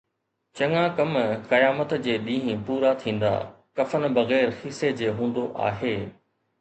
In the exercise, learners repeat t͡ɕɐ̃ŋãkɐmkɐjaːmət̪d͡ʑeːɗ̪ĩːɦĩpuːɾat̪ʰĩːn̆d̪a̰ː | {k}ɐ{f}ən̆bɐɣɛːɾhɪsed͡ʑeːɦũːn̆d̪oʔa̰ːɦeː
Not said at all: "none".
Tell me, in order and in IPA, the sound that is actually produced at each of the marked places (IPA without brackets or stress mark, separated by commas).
k, f